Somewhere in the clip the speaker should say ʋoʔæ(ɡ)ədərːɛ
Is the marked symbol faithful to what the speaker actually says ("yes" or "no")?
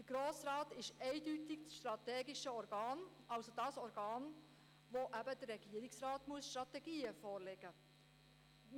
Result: no